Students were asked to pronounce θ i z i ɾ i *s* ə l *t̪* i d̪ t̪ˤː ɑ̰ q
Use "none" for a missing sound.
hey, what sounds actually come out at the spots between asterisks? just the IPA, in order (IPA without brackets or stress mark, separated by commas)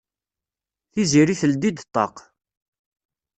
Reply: θ, d̪